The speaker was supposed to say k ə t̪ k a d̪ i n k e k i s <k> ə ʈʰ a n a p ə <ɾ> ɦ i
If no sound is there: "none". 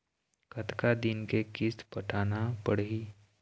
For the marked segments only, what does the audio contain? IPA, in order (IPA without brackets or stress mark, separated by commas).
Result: p, ɽ